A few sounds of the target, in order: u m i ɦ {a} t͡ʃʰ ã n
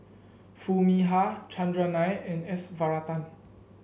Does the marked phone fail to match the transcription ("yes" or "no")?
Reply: no